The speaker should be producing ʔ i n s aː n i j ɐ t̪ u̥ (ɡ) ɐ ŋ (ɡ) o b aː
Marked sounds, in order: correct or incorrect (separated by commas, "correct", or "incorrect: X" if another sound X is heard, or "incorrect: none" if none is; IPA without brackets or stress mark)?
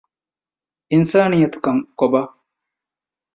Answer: incorrect: k, incorrect: k